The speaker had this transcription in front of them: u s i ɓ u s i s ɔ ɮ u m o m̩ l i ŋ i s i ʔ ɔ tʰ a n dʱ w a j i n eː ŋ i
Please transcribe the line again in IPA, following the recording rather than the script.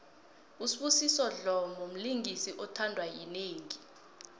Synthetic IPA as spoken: u s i ɓ u s i s ɔ ɮ ɔ m o m̩ l i ŋ i s i ʔ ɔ tʰ a n dʱ w a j i n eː ŋ i

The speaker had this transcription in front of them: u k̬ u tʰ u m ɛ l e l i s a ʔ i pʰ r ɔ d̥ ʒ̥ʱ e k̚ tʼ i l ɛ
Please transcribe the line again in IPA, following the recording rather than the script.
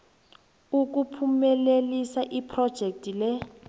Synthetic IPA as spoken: u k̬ u pʰ u m ɛ l e l i s a ʔ i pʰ r ɔ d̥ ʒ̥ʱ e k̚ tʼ i l ɛ

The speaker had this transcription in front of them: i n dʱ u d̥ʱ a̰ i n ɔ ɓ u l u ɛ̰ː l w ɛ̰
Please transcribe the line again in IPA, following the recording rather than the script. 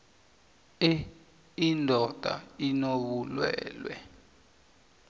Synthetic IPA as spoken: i n dʱ ɔ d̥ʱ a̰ i n o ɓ u l w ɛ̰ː l w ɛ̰

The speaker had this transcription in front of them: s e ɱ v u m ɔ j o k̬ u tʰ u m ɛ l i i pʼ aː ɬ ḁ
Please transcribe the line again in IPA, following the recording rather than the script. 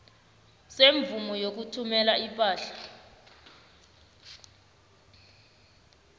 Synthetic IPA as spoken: s e ɱ v u m ɔ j o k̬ u tʰ u m ɛ l a i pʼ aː ɬ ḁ

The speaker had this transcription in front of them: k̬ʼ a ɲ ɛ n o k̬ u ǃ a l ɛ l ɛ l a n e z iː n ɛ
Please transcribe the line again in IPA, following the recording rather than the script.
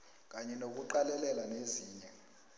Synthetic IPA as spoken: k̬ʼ a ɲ ɛ n o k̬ u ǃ a l ɛ l ɛ l a n e z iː ɲ ɛ

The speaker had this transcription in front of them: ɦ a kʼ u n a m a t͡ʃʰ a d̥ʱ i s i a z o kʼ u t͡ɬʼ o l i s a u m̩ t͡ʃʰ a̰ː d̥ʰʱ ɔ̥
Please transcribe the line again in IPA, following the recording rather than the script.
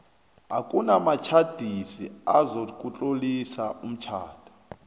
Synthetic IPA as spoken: ɦ a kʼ u n a m a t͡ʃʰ a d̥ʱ i s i a z o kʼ u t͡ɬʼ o l i s a u m̩ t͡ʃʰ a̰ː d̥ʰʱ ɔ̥

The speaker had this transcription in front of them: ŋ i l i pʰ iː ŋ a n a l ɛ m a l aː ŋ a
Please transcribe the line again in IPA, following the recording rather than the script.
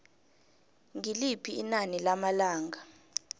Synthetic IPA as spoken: ŋ i l i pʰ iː n a n i l a m a l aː ŋ a

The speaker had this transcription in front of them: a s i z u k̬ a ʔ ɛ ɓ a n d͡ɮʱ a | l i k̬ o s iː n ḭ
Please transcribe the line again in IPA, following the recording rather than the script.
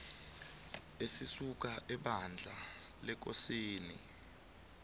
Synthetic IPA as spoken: e s i s u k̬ a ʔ ɛ ɓ a n d͡ɮʱ a | l ɛ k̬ o s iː n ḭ

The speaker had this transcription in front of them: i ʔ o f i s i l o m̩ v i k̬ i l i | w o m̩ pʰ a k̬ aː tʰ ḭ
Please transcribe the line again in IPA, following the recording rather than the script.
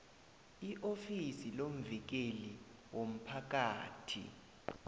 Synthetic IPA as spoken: i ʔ o f i s i l o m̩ v i k̬ e l i | w o m̩ pʰ a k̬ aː tʰ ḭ

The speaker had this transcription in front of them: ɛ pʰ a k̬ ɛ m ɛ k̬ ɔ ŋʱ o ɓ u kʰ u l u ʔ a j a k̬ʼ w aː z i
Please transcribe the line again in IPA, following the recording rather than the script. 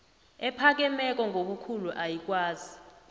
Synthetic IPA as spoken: ɛ pʰ a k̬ ɛ m ɛ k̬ ɔ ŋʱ o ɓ u kʰ u l u ʔ a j i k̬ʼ w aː z i

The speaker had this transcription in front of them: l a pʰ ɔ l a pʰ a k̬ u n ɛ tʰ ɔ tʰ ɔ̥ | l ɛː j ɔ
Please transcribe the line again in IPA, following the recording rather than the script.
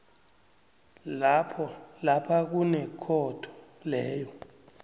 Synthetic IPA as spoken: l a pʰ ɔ l a pʰ a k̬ u n ɛ kʰ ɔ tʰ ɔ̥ | l ɛː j ɔ

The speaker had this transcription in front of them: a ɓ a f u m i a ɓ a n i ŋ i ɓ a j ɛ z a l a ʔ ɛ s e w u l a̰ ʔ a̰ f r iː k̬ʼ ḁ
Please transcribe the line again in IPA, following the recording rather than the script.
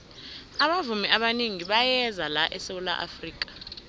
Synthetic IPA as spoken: a ɓ a v u m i a ɓ a n i ŋ i ɓ a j ɛ z a l a ʔ ɛ s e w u l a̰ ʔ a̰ f r iː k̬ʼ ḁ

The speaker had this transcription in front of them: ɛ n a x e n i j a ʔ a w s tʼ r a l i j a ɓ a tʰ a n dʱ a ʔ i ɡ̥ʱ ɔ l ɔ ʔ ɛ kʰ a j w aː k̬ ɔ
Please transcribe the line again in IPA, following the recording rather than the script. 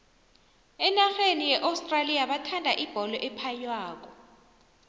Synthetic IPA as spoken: ɛ n a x e n i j ɛ ʔ a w s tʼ r a l i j a ɓ a tʰ a n dʱ a ʔ i b̥ʱ ɔ l ɔ ʔ ɛ pʰ a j w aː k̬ ɔ

